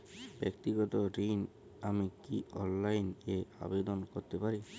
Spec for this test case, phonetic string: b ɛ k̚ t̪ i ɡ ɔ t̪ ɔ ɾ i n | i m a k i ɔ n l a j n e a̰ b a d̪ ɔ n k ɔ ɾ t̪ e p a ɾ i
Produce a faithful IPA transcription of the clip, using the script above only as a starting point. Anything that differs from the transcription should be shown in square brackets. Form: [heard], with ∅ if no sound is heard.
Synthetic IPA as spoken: b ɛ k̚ t̪ i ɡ ɔ t̪ ɔ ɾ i n | [a] m [i] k i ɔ n l a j n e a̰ b [e] d̪ ɔ n k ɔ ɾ t̪ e p a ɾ i